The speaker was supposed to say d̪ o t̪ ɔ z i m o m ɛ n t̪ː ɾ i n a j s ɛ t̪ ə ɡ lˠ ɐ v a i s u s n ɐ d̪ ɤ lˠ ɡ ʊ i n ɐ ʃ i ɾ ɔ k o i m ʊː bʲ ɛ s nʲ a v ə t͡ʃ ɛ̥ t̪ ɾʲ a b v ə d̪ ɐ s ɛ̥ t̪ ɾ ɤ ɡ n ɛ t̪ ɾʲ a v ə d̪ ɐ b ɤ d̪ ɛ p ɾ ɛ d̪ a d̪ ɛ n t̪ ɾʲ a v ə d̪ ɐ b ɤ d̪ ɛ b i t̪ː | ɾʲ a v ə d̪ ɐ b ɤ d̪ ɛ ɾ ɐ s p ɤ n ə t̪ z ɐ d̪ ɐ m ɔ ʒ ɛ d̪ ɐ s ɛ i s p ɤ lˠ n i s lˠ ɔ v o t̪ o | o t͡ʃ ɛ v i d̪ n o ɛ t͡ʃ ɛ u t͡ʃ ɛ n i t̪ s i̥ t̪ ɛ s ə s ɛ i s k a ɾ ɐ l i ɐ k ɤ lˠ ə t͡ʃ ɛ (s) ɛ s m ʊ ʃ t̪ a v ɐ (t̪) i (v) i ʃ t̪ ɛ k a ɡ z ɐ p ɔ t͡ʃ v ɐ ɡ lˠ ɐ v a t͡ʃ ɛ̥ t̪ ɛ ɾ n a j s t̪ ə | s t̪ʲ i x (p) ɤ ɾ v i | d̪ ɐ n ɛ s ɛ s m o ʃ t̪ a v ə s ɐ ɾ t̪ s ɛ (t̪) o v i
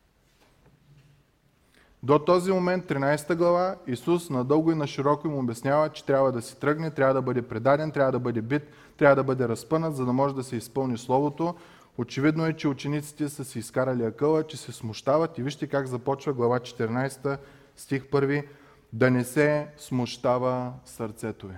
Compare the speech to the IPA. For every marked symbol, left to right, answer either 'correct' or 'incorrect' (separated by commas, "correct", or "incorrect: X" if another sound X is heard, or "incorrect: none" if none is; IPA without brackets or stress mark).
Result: correct, correct, correct, correct, correct